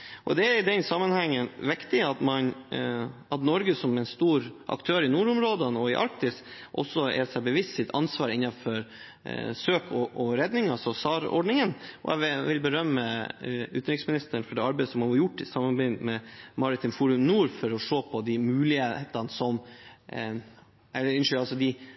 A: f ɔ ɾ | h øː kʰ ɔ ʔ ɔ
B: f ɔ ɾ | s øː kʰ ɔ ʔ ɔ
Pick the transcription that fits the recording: B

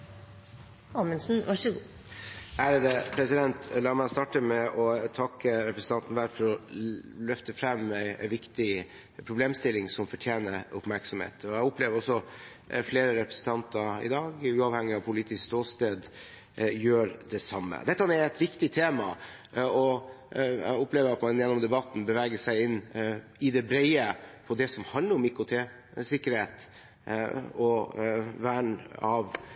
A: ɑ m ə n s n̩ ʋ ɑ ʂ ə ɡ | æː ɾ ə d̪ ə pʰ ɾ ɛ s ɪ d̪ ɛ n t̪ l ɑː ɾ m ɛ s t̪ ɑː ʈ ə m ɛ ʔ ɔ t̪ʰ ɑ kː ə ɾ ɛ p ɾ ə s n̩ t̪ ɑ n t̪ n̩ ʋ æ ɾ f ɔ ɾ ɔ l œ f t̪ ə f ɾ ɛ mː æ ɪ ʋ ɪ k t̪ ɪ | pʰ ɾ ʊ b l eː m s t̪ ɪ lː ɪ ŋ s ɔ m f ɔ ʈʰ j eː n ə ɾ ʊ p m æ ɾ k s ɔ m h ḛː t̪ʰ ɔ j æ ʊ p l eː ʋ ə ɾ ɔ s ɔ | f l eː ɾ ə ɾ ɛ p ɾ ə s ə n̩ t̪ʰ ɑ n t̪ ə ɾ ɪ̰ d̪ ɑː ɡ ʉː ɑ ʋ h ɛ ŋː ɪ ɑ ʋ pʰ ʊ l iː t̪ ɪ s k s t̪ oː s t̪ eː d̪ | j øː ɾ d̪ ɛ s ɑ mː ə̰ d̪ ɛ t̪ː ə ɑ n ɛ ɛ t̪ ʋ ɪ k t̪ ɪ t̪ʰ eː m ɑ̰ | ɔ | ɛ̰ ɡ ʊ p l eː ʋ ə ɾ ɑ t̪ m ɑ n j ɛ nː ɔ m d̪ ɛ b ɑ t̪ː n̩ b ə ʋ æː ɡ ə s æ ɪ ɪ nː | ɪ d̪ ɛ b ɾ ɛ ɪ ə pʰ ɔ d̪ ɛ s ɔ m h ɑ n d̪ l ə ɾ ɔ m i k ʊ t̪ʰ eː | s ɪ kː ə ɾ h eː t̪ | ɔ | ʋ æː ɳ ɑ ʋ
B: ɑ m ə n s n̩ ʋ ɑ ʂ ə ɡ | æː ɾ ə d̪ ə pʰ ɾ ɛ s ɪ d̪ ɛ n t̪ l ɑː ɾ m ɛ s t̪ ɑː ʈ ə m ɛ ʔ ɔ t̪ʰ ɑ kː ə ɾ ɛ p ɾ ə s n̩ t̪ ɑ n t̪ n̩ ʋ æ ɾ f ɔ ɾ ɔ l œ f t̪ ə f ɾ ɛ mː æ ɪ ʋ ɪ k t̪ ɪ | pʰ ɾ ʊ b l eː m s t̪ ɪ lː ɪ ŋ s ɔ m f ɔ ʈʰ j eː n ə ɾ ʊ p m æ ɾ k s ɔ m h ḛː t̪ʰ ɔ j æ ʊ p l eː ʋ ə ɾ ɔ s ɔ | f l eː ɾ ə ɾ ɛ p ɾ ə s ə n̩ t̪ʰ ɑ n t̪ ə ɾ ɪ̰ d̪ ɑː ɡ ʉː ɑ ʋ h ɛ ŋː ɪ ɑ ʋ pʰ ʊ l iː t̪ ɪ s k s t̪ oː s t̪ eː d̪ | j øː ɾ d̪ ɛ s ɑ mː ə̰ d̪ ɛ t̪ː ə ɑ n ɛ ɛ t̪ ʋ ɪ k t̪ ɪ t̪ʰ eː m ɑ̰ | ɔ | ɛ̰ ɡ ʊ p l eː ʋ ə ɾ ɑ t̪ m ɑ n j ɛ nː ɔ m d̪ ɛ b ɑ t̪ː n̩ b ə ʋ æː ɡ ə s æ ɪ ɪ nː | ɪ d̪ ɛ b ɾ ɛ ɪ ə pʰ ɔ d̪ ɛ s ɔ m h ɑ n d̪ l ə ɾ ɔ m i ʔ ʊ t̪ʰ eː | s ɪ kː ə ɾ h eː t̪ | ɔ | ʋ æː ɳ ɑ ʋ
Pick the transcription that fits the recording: A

